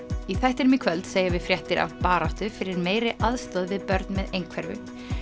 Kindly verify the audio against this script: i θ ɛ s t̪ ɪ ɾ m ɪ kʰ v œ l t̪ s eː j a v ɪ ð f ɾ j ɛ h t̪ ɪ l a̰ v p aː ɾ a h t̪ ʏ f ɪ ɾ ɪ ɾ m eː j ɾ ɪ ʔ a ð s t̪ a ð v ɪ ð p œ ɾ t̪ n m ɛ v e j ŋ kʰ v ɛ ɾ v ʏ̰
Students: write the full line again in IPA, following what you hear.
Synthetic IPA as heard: i θ ɛ h t̪ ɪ ɾ m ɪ kʰ v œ l t̪ s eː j a v ɪ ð f ɾ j ɛ h t̪ ɪ ɾ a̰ v p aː ɾ a h t̪ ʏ f ɪ ɾ ɪ ɾ m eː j ɾ ɪ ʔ a ð s t̪ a ð v ɪ ð p œ ɾ t̪ n m ɛ ð e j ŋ kʰ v ɛ ɾ v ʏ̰

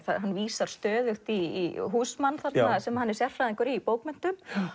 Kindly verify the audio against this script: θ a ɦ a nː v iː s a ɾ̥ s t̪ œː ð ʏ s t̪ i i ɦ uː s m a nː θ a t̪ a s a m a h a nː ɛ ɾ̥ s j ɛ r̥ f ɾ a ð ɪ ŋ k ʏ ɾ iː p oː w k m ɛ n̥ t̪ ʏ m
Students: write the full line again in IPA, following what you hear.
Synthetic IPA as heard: θ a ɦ a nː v iː s a ɾ̥ s t̪ œː ð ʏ x t̪ i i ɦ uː s m a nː θ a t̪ a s ɛ m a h a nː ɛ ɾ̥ s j ɛ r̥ f ɾ a ð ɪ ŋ k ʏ ɾ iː p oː w k m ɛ n̥ t̪ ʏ m

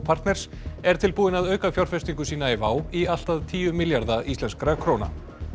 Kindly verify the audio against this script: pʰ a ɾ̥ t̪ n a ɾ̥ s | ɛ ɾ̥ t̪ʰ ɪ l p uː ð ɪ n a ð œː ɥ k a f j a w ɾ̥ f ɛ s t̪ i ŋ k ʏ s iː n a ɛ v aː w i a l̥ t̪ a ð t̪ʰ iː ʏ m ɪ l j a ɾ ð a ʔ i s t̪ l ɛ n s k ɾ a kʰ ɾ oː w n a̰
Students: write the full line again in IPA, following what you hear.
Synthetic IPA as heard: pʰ a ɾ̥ t̪ n ɛ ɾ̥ s | ɛ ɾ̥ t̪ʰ ɪ l p uː ð ɪ n a ð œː ɥ k a f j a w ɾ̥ f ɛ s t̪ i ŋ k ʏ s iː n a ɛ v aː w i a l̥ t̪ a ð t̪ʰ iː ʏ m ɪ l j a ɾ ð a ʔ i s t̪ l ɛ n s k ɾ a kʰ ɾ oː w n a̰

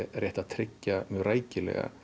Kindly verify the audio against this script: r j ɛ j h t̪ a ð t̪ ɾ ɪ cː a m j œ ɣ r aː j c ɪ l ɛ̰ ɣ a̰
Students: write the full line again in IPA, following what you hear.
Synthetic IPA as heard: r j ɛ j h t̪ a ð t̪ʰ ɾ ɪ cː a m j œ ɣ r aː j c ɪ l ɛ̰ ɣ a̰

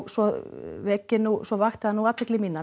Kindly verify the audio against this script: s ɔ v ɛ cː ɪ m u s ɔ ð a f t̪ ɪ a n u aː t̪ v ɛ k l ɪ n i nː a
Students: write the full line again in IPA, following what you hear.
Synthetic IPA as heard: s ɔ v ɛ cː ɪ n u s ɔ v a x t̪ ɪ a n u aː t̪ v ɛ k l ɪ m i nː a

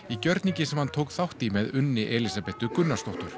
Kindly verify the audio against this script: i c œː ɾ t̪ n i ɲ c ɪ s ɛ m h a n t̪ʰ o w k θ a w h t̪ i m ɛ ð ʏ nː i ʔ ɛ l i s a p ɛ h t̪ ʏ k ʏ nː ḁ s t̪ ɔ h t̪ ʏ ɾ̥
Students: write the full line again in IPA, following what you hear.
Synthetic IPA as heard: i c œ ɾ t̪ n i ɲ c ɪ s ɛ m h a n t̪ʰ o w k θ a w h t̪ i m ɛ ð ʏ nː ɪ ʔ ɛ l i s a p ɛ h t̪ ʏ k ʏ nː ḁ s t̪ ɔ h t̪ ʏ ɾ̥

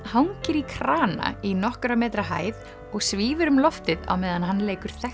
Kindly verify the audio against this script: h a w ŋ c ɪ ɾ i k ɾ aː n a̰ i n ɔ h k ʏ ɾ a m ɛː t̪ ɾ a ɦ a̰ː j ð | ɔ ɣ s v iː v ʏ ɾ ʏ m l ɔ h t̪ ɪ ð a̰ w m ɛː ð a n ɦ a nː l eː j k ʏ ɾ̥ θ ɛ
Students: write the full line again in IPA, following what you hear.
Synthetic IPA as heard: h a w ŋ c ɪ ɾ i kʰ ɾ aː n a̰ i n ɔ h k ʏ ɾ a m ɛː t̪ ɾ a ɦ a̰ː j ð | ɔ ɣ s v iː v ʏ ɾ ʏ m l ɔ f t̪ ɪ ð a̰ w m ɛː ð a n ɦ a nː l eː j k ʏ ɾ̥ θ ɛ

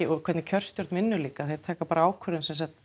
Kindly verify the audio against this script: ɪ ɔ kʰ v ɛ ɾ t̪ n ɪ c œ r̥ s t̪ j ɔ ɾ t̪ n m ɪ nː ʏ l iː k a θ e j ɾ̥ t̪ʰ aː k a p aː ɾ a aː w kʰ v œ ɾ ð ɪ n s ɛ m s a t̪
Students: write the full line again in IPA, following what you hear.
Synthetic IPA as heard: ɪ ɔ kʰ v ɛ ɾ t̪ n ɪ cʰ œ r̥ s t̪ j ɔ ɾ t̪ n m ɪ nː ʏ l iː k a θ e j ɾ̥ t̪ʰ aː k a p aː ɾ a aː w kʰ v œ ɾ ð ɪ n s ɛ n s a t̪

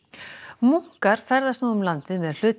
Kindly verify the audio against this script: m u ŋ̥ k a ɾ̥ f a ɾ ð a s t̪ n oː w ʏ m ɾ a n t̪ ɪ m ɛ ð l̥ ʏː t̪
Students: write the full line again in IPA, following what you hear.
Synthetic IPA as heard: m u ŋ̥ k a ɾ̥ f ɛ ɾ ð a s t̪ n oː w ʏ m l a n t̪ ɪ m ɛ ð l̥ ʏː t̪

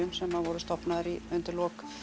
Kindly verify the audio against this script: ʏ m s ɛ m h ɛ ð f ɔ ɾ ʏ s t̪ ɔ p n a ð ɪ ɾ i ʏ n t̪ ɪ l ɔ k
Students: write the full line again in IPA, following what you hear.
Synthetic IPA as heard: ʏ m s ɛ m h a ð v ɔ ɾ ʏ s t̪ ɔ p n a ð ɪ ɾ i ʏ n t̪ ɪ l ɔ k

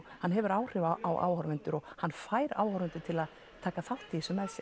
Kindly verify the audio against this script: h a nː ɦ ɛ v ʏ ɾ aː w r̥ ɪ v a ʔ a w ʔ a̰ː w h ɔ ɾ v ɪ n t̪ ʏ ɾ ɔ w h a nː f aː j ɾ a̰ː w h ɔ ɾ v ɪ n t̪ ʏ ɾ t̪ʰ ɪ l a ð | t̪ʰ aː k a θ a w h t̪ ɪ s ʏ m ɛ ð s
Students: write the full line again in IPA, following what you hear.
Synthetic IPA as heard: h a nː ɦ ɛ v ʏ ɾ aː w r̥ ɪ v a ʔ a w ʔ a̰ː w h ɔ ɾ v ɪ n t̪ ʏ ɾ ɔ ɣ h a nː f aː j ɾ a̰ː w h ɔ ɾ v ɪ n t̪ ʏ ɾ t̪ʰ ɪ l a ð | t̪ʰ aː k a θ a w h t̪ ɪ s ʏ m ɛ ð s

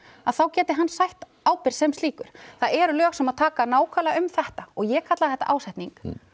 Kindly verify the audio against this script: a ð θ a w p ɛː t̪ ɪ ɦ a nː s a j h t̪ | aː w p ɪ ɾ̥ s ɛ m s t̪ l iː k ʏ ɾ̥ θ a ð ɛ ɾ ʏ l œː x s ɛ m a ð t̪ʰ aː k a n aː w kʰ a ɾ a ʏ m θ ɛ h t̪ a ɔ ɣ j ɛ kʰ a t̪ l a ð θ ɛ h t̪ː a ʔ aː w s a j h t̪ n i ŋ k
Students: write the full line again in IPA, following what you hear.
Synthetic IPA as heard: a ð θ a w c ɛː t̪ ɪ ɦ a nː s a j h t̪ | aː w p ɪ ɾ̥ s ɛ m s t̪ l iː k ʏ ɾ̥ θ a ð ɛ ɾ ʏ l œː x s ɛ m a ð t̪ʰ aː k a n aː w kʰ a l a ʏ m θ ɛ h t̪ a ɔ ɣ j ɛ kʰ a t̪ l a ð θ ɛ h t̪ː a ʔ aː w s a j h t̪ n i ŋ k

